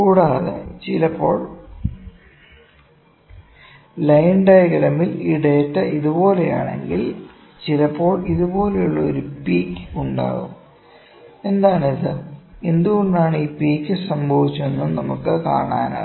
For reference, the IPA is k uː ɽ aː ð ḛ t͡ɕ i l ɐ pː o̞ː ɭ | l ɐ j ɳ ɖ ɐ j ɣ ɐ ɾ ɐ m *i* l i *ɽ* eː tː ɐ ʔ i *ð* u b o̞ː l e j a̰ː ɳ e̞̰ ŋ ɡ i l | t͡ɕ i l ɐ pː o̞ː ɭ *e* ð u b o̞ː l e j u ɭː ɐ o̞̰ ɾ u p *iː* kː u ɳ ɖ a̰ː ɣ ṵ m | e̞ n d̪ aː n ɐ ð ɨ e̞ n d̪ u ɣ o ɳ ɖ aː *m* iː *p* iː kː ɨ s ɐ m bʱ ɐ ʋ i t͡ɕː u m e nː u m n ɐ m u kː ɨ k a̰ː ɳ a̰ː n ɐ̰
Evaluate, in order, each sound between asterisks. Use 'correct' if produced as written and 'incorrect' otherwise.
correct, correct, correct, incorrect: i, correct, incorrect: ɳ, correct

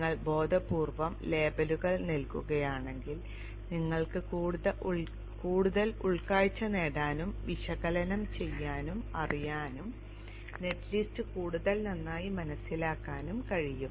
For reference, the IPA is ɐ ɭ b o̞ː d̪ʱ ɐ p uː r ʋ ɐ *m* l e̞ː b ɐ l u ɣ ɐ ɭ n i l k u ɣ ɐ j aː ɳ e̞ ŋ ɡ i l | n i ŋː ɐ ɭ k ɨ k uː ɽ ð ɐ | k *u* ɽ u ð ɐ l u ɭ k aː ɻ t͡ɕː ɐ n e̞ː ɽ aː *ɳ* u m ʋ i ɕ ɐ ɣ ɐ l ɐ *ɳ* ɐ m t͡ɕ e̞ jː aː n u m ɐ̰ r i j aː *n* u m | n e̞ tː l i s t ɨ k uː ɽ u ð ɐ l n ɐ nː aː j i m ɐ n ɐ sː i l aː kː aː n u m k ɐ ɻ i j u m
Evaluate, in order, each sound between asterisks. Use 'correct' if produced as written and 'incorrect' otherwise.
correct, incorrect: uː, incorrect: n, incorrect: n, correct

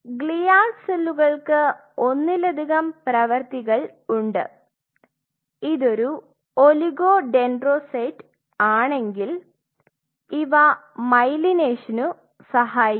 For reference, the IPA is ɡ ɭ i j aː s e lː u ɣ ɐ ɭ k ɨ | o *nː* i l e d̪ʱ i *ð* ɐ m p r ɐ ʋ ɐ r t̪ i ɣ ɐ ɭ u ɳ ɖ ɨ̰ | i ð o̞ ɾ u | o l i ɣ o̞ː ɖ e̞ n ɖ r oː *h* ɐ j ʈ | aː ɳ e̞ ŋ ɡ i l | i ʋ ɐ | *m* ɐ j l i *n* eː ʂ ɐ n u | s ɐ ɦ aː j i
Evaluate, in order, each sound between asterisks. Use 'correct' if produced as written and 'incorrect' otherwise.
correct, incorrect: ɣ, incorrect: s, correct, correct

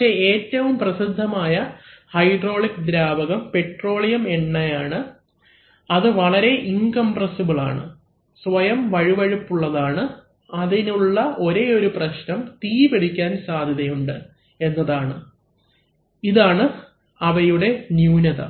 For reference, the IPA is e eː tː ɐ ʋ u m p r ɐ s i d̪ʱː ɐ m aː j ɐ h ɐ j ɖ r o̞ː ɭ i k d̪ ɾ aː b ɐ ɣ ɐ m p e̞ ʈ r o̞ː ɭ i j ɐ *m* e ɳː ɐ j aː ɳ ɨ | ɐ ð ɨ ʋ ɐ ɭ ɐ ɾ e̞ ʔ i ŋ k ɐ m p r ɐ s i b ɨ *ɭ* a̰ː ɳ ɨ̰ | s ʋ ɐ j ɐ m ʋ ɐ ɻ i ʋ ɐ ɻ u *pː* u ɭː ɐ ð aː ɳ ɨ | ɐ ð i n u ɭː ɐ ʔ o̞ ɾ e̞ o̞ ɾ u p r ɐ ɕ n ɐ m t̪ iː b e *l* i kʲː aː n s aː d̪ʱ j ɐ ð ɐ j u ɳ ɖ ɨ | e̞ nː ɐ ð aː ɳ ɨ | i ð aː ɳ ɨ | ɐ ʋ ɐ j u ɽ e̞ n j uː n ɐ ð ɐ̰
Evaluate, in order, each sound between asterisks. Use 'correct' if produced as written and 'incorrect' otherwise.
correct, correct, correct, incorrect: ɽ

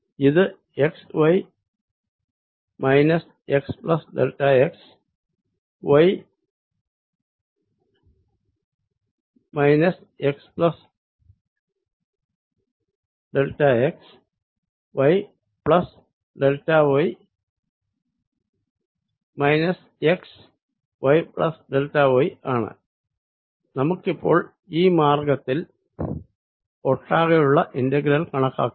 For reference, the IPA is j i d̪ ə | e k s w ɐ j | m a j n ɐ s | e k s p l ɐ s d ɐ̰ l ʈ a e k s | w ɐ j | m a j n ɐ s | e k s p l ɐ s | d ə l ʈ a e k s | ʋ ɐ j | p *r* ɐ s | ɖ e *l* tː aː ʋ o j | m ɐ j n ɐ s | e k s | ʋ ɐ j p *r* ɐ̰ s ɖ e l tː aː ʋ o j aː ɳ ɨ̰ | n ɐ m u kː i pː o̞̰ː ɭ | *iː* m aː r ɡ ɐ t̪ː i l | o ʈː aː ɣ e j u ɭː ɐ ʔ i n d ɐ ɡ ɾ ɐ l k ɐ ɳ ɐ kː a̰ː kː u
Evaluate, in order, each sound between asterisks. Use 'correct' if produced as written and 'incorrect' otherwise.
incorrect: ɭ, correct, incorrect: ɭ, correct

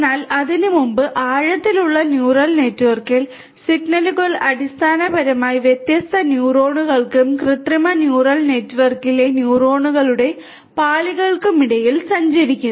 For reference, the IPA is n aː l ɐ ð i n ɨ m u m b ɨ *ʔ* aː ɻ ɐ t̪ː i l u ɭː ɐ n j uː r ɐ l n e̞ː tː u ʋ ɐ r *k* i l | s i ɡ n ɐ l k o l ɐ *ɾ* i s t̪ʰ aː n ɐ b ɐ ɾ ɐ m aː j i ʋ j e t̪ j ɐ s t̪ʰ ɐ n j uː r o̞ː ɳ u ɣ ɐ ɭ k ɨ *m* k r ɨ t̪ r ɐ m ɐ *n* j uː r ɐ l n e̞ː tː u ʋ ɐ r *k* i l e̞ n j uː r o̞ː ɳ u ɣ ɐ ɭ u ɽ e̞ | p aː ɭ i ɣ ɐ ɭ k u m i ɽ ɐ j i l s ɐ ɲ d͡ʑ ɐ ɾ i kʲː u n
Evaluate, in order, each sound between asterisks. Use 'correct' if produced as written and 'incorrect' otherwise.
correct, correct, incorrect: ɽ, correct, correct, correct

